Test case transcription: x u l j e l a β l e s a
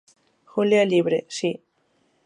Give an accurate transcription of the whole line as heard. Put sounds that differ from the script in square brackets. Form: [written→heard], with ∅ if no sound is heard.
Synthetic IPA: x u l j [e→a] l [a→i] β [l→ɾ] e s [a→i]